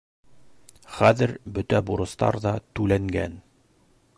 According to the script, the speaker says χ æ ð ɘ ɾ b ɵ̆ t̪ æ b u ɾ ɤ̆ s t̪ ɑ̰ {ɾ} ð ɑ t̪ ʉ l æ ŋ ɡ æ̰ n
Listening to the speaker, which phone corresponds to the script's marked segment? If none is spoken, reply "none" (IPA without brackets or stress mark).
ɾ